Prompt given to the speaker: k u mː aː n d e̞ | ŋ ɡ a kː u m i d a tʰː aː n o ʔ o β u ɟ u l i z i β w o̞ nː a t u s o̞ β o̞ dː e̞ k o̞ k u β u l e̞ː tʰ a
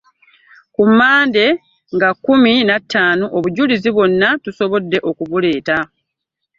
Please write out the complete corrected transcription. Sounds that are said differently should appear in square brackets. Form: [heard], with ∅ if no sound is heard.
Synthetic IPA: k u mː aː n d e̞ | ŋ ɡ a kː u m i [n] a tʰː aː n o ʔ o β u ɟ u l i z i β w o̞ nː a t u s o̞ β o̞ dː e̞ [ʔ] o̞ k u β u l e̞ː [t] a